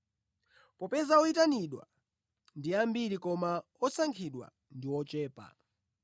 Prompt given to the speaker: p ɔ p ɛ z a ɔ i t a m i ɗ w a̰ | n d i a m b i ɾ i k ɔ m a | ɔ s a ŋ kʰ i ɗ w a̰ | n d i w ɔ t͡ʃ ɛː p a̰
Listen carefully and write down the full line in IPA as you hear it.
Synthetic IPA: p ɔ p ɛ z a ɔ i t a n i ɗ w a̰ | n d i a m b i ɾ i k ɔ m a | ɔ s a ŋ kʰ i ɗ w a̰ | n d i w ɔ t͡ʃ ɛː p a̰